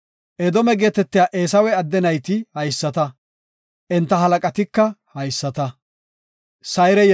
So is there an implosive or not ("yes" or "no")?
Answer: no